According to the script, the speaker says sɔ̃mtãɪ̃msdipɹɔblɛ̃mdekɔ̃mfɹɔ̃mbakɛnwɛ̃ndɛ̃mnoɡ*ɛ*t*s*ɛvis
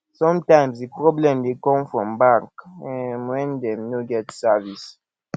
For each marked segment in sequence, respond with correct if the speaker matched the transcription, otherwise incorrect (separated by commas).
correct, correct